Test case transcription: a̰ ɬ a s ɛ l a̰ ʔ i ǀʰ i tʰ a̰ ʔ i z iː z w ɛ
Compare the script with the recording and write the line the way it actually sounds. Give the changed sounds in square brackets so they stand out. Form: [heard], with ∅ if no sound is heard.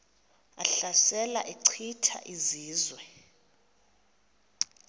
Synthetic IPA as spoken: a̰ ɬ a s ɛ l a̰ ʔ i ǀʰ i tʰ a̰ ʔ i z iː z w ɛ